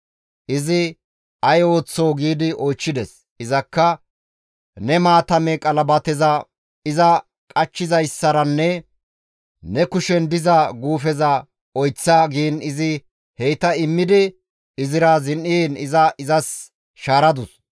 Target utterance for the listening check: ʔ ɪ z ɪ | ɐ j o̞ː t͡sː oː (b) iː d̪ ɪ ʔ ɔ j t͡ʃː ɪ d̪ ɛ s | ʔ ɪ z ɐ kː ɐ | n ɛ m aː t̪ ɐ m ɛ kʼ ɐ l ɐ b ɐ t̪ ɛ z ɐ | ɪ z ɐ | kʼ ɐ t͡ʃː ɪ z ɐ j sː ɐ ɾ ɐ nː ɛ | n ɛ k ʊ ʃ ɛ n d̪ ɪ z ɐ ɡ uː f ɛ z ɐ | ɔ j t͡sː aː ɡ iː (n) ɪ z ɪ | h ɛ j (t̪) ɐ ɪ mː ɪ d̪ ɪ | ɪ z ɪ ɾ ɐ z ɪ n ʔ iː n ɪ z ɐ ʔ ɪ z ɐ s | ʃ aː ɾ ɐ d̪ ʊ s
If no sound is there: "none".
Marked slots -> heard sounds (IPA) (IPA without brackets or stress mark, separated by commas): ɡ, n, t̪